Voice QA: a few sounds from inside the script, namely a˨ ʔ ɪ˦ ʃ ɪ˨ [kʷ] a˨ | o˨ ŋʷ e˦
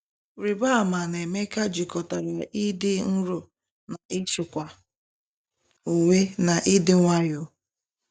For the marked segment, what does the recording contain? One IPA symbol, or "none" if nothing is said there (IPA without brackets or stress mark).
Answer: kʷ